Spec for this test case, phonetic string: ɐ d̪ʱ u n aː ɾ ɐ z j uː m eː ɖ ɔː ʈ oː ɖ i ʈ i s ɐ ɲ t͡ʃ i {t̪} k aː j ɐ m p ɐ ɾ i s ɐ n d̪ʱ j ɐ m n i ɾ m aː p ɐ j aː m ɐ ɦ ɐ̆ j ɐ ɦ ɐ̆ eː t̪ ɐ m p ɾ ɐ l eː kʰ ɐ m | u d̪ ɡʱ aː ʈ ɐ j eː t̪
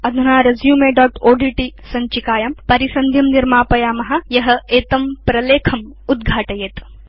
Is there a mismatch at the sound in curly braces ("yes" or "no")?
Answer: yes